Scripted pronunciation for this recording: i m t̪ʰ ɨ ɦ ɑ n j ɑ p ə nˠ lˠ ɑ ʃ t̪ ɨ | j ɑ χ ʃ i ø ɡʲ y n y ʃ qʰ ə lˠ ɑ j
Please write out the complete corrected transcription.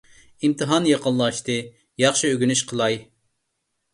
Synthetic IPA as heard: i m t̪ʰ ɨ ɦ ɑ n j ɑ q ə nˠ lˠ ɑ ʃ t̪ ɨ | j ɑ χ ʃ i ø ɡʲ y n y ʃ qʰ ə lˠ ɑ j